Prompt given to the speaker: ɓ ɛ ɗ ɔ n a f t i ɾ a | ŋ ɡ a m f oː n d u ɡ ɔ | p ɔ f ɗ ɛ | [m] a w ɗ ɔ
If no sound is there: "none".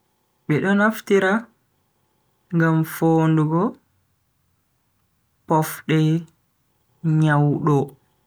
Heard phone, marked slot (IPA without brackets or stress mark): ɲ